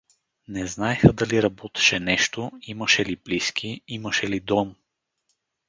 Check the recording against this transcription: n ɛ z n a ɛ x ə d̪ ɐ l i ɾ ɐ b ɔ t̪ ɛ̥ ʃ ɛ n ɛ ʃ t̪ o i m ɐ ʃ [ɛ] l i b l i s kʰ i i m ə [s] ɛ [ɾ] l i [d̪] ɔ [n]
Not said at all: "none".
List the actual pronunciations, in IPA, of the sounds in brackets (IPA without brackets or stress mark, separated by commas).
ɛ, ʃ, none, d̪, m